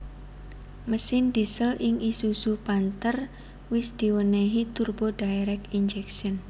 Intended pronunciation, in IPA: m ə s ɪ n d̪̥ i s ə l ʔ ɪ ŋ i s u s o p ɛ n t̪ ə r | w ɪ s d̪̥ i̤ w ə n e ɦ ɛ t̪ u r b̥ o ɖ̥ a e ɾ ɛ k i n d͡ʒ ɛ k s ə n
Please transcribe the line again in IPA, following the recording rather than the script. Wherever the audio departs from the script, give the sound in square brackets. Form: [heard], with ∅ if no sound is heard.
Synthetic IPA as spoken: m ə s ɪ n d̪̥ i s ə l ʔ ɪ ŋ i s u s [u] p [a] n t̪ ə r | w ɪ s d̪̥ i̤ w ə n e ɦ [i] t̪ u r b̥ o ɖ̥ a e ɾ ɛ k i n d͡ʒ ɛ k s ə n